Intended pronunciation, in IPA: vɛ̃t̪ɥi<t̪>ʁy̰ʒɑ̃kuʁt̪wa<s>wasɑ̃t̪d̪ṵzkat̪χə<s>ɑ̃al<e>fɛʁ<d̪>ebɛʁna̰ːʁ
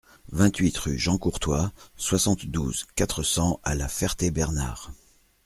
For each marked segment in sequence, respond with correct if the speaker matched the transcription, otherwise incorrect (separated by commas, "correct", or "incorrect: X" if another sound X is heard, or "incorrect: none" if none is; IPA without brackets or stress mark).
correct, correct, correct, incorrect: a, incorrect: t̪